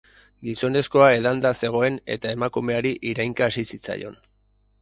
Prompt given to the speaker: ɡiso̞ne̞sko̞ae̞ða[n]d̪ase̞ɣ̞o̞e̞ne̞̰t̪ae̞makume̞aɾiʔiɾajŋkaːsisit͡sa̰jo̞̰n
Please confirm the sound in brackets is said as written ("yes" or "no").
yes